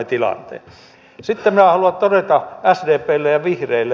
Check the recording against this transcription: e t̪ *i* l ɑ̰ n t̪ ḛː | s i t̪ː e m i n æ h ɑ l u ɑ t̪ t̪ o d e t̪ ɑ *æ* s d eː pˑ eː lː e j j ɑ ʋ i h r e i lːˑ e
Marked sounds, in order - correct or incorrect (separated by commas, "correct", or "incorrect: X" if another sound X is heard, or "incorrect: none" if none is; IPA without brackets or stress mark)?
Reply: correct, correct